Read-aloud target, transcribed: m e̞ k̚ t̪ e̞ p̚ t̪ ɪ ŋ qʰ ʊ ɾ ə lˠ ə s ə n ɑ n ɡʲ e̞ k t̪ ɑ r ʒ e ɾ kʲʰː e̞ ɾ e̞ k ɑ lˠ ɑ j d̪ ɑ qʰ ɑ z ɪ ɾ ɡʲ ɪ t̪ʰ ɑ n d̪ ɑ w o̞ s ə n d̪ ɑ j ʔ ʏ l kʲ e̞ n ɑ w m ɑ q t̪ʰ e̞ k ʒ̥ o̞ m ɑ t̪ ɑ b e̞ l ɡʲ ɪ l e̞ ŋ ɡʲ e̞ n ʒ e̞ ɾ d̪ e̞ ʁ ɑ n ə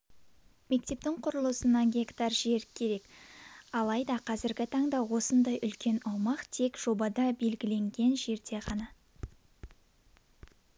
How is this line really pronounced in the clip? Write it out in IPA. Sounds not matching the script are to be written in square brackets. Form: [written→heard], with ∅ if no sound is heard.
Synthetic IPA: m e̞ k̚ t̪ e̞ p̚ t̪ ɪ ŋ qʰ ʊ ɾ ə lˠ ə s ə n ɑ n ɡʲ e̞ k t̪ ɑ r ʒ e ɾ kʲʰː e̞ ɾ e̞ k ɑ lˠ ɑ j d̪ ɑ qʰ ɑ z ɪ ɾ ɡʲ ɪ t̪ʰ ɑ [n→ɴ] d̪ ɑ w o̞ s ə n d̪ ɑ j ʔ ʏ l kʲ e̞ n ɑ w m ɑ q t̪ʰ e̞ k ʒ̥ o̞ [m→b] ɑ [t̪→d̪] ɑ b e̞ l ɡʲ ɪ l e̞ ŋ ɡʲ e̞ n ʒ e̞ ɾ d̪ e̞ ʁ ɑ n [ə→ɑ]